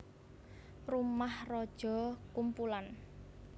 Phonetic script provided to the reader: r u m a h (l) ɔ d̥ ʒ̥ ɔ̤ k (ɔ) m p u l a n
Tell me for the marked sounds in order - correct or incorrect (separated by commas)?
incorrect, incorrect